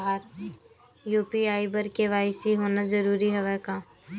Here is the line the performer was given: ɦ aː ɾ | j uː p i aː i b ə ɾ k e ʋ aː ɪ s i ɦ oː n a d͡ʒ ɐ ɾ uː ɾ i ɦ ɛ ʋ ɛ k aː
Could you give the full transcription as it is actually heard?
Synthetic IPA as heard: ɦ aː ɾ | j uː p i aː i b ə ɾ k e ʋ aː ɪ s i ɦ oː n a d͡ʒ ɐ ɾ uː ɾ i ɦ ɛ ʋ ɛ k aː

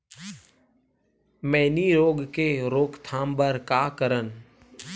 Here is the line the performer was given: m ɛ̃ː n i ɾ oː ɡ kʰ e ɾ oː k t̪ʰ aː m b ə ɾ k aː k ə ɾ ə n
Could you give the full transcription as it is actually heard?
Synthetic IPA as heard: m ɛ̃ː n i ɾ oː ɡ k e ɾ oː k t̪ʰ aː m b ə ɾ k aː k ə ɾ ə n

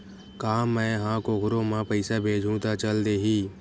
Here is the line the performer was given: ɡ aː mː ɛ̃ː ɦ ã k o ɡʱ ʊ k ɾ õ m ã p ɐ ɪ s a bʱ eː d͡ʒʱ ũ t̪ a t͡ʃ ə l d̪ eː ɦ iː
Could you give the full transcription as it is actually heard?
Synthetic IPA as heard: k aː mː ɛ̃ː ɦ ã k o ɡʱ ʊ ɾ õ m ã p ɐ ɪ s a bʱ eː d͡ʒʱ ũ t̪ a t͡ʃ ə l d̪ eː ɦ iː

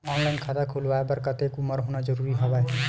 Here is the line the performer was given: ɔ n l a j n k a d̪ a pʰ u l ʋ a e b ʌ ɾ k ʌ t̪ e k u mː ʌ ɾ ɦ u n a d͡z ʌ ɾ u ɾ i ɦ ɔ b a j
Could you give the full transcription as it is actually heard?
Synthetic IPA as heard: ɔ n l a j n kʰ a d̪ a kʰ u l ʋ a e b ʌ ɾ k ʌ t̪ e k u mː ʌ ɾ ɦ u n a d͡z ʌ ɾ u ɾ i ɦ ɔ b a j

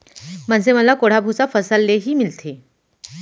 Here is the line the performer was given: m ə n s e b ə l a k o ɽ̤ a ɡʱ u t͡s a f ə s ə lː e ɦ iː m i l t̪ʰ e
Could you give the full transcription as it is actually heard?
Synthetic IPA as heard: m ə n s e m ə l a k o ɽ̤ a bʱ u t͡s a f ə s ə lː e ɦ iː m i l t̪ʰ e

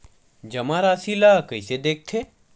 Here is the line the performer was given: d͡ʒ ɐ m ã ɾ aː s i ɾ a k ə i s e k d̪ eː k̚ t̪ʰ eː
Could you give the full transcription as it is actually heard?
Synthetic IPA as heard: d͡ʒ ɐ m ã ɾ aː s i l a k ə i s e d̪ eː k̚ t̪ʰ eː

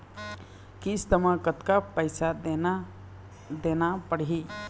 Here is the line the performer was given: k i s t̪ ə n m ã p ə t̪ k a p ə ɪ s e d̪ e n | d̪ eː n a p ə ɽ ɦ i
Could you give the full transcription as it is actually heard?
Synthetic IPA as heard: k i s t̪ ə m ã k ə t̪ k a p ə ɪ s a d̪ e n | d̪ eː n a p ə ɽ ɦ i

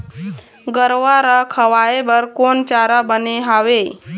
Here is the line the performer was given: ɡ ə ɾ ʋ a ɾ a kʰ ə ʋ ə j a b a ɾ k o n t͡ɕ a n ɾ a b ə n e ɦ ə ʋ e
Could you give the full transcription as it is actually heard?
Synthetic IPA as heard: ɡ ə ɾ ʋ a ɾ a kʰ ə ʋ a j e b ə ɾ k o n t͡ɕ a ɾ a b ə n e ɦ a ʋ e

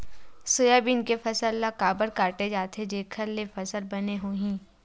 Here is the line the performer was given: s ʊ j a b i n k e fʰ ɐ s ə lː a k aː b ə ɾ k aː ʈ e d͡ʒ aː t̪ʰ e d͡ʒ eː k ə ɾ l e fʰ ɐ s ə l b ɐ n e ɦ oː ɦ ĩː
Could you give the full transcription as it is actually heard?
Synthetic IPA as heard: s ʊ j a b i n k e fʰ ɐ s ə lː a k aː b ə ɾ k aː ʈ e d͡ʒ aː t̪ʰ e d͡ʒ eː kʰ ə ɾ l e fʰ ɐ s ə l b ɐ n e ɦ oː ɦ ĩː

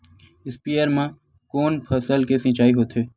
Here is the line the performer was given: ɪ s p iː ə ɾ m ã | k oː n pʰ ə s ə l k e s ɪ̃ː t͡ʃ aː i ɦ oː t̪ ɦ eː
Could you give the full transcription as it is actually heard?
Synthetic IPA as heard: ɪ s p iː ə ɾ m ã | k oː n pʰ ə s ə l k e s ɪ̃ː t͡ʃ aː i ɦ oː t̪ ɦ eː

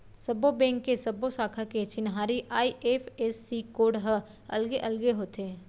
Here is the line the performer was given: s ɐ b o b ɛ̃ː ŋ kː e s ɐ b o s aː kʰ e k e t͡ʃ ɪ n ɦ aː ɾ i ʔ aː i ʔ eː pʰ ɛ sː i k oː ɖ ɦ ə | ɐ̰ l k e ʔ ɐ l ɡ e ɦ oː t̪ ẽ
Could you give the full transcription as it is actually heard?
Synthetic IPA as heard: s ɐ b o b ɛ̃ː ŋ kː e s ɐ b o s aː kʰ a k e t͡ʃ ɪ n ɦ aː ɾ i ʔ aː i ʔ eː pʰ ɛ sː i k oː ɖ ɦ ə | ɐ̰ l ɡ e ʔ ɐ l ɡ e ɦ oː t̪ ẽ

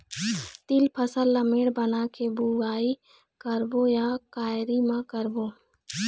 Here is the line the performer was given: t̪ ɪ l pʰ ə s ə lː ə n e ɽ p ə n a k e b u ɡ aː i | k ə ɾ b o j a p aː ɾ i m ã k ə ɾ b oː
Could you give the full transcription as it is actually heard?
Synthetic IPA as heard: t̪ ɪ l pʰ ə s ə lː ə m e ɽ b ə n a k e b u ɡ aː i | k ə ɾ b o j a k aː ɾ i m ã k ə ɾ b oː

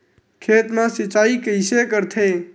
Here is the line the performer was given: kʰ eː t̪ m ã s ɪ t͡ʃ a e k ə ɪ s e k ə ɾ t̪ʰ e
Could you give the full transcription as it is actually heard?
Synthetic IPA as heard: kʰ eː t̪ m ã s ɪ t͡ʃ a i k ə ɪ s e k ə ɾ t̪ʰ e

